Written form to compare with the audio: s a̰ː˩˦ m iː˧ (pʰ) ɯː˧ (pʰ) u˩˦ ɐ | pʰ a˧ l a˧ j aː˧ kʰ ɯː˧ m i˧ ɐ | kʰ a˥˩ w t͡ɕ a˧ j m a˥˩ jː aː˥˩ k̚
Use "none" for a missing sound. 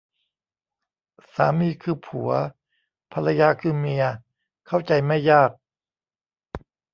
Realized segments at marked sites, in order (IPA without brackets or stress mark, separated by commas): kʰ, pʰ